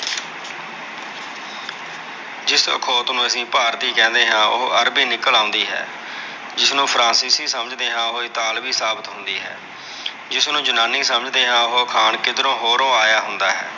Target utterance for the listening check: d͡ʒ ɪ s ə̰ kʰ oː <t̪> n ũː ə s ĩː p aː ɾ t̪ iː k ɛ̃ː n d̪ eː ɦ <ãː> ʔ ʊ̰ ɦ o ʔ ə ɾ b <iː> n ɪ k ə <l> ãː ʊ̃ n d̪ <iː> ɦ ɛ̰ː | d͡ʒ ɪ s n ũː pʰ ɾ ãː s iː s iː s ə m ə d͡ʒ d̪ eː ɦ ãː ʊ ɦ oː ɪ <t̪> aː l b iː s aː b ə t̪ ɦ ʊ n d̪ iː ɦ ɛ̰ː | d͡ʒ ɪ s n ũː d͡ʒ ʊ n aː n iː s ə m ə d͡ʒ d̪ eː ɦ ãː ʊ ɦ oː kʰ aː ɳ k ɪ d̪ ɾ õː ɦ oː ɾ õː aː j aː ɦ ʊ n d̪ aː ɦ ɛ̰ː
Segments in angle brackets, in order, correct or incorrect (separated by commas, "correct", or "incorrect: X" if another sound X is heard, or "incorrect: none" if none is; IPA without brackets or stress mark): correct, correct, correct, correct, correct, correct